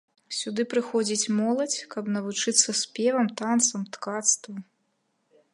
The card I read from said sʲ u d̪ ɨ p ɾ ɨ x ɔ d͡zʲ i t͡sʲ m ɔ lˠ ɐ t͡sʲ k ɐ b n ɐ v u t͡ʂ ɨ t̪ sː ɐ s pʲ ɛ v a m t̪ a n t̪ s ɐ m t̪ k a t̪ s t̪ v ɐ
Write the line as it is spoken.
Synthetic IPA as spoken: sʲ u d̪ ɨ p ɾ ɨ x ɔ d͡zʲ i t͡sʲ m ɔ lˠ ɐ t͡sʲ k ɐ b n ɐ v u t͡ʂ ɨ t̪ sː ɐ s pʲ ɛ v ɐ m t̪ a n t̪ s ɐ m t̪ k a t̪ s t̪ v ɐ